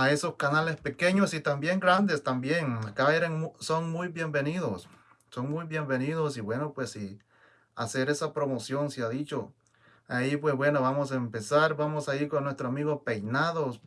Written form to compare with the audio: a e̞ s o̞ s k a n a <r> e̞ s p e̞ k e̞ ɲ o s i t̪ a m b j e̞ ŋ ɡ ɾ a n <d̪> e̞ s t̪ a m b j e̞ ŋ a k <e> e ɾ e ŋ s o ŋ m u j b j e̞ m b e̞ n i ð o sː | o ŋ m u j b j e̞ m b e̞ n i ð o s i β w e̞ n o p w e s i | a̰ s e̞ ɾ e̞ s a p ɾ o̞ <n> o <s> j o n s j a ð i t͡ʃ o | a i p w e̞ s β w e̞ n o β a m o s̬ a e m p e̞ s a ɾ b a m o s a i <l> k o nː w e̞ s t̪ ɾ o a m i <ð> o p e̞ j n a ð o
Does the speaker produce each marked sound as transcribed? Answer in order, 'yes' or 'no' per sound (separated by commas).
no, yes, no, no, yes, no, no